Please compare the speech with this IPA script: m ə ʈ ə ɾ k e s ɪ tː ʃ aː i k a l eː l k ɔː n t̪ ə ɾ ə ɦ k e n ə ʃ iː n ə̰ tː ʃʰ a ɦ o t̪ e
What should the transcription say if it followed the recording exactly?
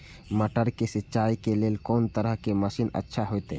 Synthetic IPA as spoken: m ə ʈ ə ɾ k e s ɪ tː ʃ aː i k e l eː l k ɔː n t̪ ə ɾ ə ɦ k e m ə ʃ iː n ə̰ tː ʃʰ a ɦ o t̪ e